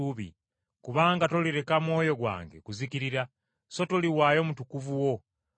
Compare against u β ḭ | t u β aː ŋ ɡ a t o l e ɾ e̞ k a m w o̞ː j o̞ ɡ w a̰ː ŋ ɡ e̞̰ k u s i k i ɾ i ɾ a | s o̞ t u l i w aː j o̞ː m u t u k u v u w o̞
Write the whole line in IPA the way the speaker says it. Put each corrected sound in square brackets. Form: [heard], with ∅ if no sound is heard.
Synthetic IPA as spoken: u β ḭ | [k] u β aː ŋ ɡ a t o l [i] ɾ e̞ k a m w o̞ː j o̞ ɡ w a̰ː ŋ ɡ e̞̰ k u [z] i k i ɾ i ɾ a | s o̞ t [o] l i w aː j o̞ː m u t u k u v u w o̞